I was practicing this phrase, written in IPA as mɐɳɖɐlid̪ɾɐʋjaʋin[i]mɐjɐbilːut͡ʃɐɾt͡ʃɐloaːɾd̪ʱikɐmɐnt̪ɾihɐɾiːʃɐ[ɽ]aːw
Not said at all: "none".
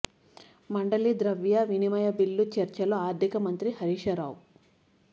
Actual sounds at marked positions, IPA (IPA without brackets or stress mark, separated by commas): i, ɾ